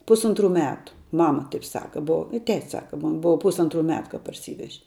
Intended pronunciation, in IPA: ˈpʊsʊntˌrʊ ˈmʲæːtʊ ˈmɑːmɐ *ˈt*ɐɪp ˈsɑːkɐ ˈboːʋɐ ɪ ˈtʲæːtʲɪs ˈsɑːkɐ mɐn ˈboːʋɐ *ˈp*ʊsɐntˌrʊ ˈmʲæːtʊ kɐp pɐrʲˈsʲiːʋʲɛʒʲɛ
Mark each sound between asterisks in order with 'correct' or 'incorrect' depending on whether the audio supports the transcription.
correct, correct

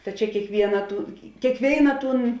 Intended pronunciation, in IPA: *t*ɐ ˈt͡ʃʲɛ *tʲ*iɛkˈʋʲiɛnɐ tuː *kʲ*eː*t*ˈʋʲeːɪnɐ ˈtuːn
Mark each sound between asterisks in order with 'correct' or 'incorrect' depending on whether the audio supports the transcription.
correct, incorrect: kʲ, correct, incorrect: k

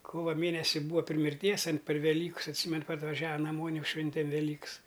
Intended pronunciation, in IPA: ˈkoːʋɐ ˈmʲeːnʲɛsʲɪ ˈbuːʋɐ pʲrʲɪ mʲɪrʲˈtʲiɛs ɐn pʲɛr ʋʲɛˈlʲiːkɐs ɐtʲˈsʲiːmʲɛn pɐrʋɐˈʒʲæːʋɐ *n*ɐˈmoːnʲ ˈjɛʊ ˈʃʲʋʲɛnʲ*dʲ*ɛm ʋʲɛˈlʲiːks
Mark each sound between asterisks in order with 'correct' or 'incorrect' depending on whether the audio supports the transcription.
correct, incorrect: tʲ

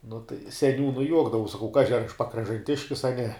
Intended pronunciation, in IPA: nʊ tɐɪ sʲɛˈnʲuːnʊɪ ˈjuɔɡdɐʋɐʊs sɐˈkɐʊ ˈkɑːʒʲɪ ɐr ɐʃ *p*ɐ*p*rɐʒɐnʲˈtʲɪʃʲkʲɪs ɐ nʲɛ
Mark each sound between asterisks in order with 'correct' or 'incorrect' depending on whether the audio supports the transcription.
correct, incorrect: k

